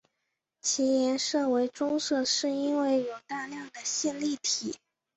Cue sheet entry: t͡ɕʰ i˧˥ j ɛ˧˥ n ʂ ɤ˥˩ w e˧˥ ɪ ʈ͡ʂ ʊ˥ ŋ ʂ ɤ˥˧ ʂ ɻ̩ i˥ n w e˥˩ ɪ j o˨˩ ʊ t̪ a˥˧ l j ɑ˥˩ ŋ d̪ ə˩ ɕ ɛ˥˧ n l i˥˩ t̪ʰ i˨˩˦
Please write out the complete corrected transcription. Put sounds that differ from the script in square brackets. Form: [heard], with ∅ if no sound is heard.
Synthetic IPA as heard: t͡ɕʰ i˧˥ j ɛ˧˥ n ʂ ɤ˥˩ w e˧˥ ɪ ʈ͡ʂ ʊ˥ ŋ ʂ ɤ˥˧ ʂ ɻ̩ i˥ n w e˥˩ ɪ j o˨˩ ʊ t̪ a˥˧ l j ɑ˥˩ ŋ d̪ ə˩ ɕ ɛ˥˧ n l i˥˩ t̪ʰ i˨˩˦